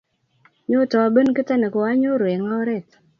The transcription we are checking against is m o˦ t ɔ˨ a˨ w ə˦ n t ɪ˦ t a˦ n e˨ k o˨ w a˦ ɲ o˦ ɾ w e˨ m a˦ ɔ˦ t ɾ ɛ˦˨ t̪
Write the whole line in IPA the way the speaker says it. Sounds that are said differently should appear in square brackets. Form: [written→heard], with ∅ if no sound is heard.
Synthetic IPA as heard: [m→ɲ] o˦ t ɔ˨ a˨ [w→b] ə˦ n [t→k] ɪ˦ t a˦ n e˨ k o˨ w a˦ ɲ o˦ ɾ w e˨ [m→ŋ] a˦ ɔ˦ [t→∅] ɾ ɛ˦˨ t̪